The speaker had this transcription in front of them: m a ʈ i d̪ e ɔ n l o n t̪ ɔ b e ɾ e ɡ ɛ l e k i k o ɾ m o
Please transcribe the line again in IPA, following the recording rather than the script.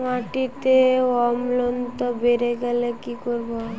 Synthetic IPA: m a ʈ i t̪ e ɔ m l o n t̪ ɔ b e ɾ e ɡ ɛ l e k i k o ɾ b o

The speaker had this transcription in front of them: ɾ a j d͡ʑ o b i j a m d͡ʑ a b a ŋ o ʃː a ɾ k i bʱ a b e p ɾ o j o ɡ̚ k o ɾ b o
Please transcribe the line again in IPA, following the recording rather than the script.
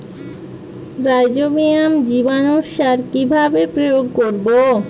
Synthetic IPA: ɾ a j d͡ʑ o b i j a m d͡ʑ i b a n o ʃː a ɾ k i bʱ a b e p ɾ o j o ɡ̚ k o ɾ b o

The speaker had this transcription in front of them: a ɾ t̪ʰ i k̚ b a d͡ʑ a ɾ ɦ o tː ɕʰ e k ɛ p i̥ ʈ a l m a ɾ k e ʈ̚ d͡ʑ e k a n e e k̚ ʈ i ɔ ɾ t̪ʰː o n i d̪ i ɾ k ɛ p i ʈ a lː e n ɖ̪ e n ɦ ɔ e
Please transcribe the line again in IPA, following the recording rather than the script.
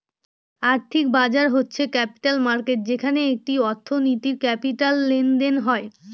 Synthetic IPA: a ɾ t̪ʰ i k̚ b a d͡ʑ a ɾ ɦ o tː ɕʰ e k ɛ p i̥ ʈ a l m a ɾ k e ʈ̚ d͡ʑ e kʰ a n e e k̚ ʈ i ɔ ɾ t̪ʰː o n i t̪ i ɾ k ɛ p i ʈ a lː e n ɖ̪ e n ɦ ɔ e

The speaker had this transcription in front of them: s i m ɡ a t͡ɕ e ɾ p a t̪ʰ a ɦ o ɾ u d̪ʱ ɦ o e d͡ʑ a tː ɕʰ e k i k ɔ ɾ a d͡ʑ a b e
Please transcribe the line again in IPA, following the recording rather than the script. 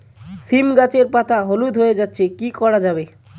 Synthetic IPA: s i m ɡ a t͡ɕ e ɾ p a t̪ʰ a ɦ o l u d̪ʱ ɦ o e d͡ʑ a tː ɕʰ e k i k ɔ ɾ a d͡ʑ a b e

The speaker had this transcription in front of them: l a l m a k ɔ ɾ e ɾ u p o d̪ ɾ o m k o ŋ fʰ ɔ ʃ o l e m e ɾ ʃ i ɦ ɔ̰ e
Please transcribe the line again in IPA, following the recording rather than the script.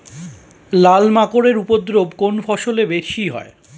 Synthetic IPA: l a l m a k o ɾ e ɾ u p o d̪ ɾ o b k o n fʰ ɔ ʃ o l e b e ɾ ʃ i ɦ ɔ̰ e

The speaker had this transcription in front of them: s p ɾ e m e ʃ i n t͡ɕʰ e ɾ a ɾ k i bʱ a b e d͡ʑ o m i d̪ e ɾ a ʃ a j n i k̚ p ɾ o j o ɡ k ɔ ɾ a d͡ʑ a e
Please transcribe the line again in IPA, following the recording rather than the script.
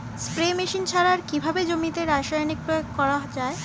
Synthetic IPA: s p ɾ e m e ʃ i n t͡ɕʰ a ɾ a ɾ k i bʱ a b e d͡ʑ o m i t̪ e ɾ a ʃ a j n i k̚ p ɾ o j o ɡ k ɔ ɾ a d͡ʑ a e

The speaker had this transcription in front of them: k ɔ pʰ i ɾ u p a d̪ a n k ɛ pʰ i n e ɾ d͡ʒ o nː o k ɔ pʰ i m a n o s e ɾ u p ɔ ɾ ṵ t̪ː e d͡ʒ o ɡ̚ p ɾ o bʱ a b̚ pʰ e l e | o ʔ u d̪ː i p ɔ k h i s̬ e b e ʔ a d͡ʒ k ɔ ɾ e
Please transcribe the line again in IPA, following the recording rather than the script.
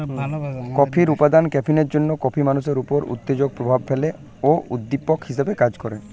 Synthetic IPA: k ɔ pʰ i ɾ u p a d̪ a n k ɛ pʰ i n e ɾ d͡ʒ o nː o k ɔ pʰ i m a n u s e ɾ u p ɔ ɾ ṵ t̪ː e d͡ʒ o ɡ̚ p ɾ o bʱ a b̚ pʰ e l e | o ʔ u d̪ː i p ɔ k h i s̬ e b e k a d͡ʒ k ɔ ɾ e

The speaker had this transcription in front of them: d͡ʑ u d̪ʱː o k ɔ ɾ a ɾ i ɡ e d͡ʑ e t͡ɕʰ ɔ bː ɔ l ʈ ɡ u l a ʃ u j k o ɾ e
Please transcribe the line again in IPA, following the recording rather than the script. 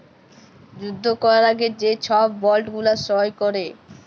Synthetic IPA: d͡ʑ u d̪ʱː o k ɔ ɾ a ɾ a ɡ e d͡ʑ e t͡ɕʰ ɔ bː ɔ l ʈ ɡ u l a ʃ ɔ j k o ɾ e

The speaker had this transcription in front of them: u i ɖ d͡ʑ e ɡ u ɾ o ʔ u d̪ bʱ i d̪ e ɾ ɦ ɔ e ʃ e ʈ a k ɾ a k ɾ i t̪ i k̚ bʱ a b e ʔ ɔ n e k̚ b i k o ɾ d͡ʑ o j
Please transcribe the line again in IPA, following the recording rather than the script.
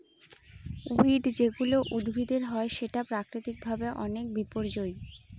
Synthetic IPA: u i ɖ d͡ʑ e ɡ u l o ʔ u d̪ bʱ i d̪ e ɾ ɦ ɔ e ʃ e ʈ a p ɾ a k ɾ i t̪ i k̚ bʱ a b e ʔ ɔ n e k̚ b i p o ɾ d͡ʑ o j

